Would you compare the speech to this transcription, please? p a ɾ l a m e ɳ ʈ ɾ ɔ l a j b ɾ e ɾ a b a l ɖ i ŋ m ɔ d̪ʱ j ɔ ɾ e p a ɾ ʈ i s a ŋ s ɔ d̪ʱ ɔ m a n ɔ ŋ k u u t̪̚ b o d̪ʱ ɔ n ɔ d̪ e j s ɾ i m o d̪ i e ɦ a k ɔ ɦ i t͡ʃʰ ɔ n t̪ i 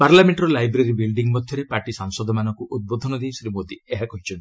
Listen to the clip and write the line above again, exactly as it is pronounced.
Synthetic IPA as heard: p a ɾ l a m e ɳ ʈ ɾ ɔ l a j b ɾ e ɾ i b i l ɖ i ŋ m ɔ d̪ʱ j ɔ ɾ e p a ɾ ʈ i s a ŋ s ɔ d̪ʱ ɔ m a n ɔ ŋ k u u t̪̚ b o d̪ʱ ɔ n ɔ d̪ e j s ɾ i m o d̪ i e ɦ a k ɔ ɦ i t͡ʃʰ ɔ n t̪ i